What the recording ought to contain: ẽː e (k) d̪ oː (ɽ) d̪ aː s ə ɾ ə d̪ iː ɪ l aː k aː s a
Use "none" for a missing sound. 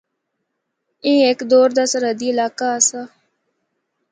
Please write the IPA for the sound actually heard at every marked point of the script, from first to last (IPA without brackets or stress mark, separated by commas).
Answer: k, ɾ